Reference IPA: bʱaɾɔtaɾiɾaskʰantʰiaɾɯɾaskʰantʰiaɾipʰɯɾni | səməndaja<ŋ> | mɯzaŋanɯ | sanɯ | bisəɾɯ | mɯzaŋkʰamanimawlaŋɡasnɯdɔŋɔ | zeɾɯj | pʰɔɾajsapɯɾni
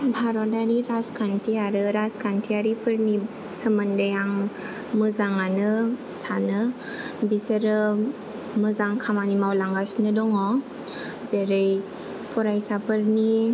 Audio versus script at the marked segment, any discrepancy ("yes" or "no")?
no